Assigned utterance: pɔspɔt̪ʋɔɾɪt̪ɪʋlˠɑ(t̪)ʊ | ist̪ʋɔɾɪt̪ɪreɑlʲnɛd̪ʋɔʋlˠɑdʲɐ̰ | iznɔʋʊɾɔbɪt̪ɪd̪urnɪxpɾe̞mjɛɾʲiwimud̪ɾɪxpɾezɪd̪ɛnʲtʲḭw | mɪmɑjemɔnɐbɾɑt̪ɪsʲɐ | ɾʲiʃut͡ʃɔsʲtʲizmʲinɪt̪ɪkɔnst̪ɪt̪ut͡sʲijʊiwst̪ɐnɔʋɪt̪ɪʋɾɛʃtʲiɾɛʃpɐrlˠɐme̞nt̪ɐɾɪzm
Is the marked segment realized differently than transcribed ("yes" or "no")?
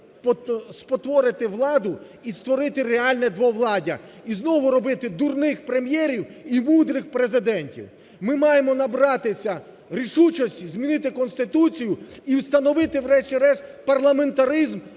yes